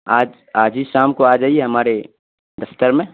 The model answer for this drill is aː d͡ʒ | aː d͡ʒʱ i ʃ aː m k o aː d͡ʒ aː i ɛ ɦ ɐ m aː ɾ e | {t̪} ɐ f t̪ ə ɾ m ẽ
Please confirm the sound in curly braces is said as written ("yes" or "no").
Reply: no